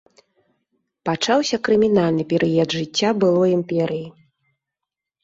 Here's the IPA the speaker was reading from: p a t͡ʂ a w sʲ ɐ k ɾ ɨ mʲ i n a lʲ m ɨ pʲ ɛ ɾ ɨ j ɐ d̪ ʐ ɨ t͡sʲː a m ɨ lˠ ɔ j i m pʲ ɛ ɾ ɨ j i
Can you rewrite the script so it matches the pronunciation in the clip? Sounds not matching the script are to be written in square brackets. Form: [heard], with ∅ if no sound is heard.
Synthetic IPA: p a t͡ʂ a w sʲ ɐ k ɾ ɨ mʲ i n a lʲ [n] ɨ pʲ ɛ ɾ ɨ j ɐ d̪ ʐ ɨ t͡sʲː a [b] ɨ lˠ ɔ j i m pʲ ɛ ɾ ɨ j i